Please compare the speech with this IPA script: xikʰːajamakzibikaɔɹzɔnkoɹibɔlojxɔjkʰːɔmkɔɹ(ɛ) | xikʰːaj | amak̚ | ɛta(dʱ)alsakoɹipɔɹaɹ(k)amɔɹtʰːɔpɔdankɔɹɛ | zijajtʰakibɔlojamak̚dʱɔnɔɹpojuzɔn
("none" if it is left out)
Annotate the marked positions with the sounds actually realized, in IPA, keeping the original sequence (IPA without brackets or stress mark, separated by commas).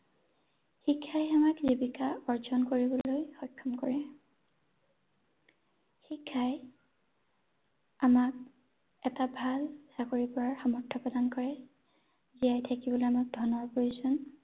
ɛ, bʱ, x